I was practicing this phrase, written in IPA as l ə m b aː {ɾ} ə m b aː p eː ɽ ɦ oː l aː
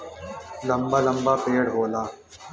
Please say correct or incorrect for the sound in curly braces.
incorrect